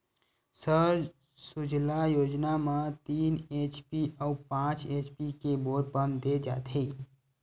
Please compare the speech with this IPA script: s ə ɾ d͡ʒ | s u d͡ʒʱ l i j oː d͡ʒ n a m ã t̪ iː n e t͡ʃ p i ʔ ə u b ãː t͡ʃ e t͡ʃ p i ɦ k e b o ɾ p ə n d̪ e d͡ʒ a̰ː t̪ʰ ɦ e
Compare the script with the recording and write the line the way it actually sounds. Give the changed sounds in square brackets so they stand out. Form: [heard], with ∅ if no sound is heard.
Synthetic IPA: s ə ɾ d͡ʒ | s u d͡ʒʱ l [a] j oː d͡ʒ n a m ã t̪ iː n e t͡ʃ p i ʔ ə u [p] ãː t͡ʃ e t͡ʃ p i [∅] k e b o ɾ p ə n d̪ e d͡ʒ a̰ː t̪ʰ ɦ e

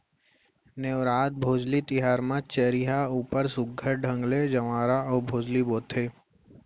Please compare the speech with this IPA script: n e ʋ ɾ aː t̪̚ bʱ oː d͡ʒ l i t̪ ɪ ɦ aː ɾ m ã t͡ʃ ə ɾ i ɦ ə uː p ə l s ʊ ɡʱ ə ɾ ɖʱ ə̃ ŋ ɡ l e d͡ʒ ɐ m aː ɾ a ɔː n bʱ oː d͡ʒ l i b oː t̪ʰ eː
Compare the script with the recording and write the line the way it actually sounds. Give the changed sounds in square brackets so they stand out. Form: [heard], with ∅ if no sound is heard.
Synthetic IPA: n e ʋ ɾ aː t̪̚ bʱ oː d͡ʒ l i t̪ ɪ ɦ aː ɾ m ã t͡ʃ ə ɾ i ɦ [a] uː p ə [ɾ] s ʊ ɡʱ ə ɾ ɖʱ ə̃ ŋ ɡ l e d͡ʒ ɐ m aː ɾ a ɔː [∅] bʱ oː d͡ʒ l i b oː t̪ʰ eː

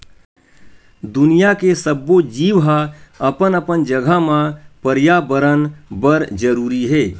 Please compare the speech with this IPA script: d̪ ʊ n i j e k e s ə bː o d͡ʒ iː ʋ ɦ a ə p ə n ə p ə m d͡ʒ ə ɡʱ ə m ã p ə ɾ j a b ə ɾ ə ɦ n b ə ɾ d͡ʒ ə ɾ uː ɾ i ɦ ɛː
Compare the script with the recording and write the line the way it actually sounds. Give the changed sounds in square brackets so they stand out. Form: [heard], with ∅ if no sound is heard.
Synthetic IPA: d̪ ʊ n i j [a] k e s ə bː o d͡ʒ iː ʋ ɦ a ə p ə n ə p ə [n] d͡ʒ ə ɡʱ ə m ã p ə ɾ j a b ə ɾ ə [∅] n b ə ɾ d͡ʒ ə ɾ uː ɾ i ɦ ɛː

